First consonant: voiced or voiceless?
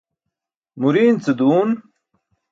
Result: voiced